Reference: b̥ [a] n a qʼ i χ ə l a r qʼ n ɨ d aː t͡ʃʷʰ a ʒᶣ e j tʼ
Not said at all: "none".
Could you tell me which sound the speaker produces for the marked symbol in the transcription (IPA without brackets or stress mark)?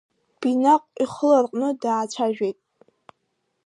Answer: i